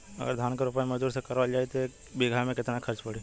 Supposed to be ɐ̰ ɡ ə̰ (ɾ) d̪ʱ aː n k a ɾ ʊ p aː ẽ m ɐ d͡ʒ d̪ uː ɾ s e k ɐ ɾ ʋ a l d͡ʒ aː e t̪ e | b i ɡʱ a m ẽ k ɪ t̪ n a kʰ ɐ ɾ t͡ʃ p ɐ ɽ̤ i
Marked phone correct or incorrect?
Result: correct